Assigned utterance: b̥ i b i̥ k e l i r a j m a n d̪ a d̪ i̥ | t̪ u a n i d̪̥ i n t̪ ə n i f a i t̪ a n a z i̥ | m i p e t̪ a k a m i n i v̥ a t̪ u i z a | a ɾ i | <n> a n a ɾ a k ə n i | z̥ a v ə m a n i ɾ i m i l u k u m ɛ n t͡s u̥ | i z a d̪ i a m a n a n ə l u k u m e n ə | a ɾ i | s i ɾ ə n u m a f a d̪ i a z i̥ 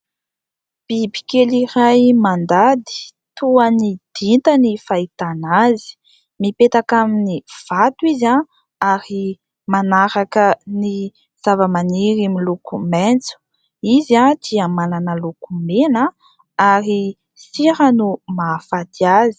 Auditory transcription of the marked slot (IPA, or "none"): m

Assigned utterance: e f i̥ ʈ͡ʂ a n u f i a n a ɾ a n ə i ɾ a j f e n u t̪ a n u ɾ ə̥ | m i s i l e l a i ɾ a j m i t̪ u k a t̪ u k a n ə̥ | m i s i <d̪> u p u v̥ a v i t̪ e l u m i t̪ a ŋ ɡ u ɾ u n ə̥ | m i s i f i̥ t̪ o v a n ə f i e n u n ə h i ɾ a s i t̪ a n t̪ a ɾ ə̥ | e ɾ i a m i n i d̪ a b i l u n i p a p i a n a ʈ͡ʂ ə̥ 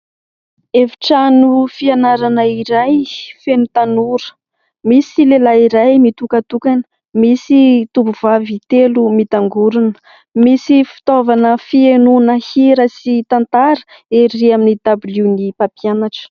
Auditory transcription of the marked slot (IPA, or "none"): t̪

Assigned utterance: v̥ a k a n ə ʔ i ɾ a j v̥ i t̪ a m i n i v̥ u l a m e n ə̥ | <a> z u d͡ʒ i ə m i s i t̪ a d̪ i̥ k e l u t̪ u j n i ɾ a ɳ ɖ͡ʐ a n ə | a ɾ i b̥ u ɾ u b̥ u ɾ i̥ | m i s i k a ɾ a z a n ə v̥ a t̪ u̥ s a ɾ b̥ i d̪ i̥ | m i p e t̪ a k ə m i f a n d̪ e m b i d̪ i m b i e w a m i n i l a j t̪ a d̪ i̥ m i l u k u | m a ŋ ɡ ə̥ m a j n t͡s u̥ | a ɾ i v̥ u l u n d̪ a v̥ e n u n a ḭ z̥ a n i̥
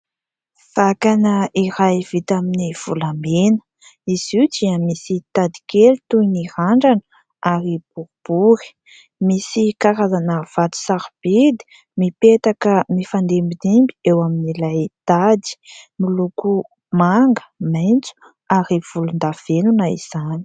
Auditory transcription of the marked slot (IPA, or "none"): i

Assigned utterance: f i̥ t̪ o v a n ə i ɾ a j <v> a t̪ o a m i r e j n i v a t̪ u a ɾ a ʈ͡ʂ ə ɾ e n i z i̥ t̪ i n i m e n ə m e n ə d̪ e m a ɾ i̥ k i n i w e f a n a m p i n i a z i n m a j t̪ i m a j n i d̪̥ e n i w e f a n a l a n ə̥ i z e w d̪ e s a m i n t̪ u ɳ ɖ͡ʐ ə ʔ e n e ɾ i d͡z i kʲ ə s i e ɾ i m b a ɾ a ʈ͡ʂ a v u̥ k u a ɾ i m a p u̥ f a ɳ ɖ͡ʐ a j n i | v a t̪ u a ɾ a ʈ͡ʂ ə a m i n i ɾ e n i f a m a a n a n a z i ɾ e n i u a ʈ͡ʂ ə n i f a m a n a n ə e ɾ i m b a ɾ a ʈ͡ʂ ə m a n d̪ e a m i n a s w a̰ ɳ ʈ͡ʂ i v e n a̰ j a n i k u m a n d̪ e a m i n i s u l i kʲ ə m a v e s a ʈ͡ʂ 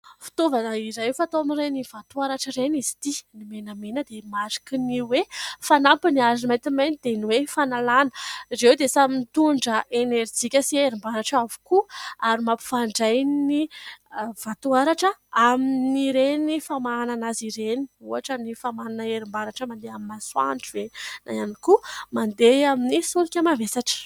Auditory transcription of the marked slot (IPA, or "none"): f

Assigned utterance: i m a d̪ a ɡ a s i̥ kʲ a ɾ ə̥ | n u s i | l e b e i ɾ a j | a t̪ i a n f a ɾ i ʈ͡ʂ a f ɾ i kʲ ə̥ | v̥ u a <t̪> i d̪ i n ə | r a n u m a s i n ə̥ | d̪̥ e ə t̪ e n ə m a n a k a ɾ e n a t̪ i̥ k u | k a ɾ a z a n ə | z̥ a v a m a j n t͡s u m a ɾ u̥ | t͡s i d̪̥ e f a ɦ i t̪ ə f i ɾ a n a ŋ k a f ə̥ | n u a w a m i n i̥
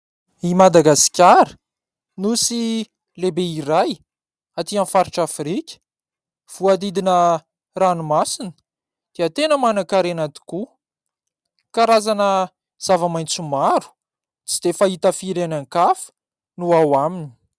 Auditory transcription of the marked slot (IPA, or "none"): d̪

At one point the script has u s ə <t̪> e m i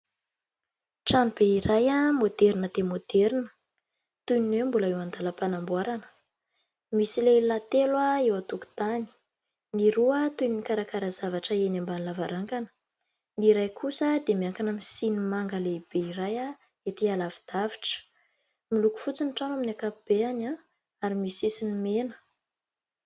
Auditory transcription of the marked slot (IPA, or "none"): d̪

